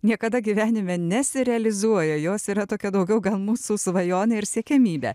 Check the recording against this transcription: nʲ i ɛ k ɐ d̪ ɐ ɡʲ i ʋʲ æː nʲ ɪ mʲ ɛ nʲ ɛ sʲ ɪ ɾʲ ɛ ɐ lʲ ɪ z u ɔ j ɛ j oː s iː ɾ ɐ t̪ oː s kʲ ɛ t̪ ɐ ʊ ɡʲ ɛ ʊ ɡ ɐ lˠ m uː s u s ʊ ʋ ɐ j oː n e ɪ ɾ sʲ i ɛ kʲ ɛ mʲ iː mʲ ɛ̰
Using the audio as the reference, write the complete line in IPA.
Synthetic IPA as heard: nʲ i ɛ k ɐ d̪ ɐ ɡʲ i ʋʲ æː nʲ ɪ mʲ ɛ nʲ ɛ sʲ ɪ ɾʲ ɛ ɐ lʲ ɪ z u ɔ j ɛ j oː s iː ɾ ɐ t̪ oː kʲ ɛ d̪ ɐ ʊ ɡʲ ɛ ʊ ɡ ɐ lˠ m uː s u s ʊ ʋ ɐ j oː n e ɪ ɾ sʲ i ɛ kʲ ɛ mʲ iː bʲ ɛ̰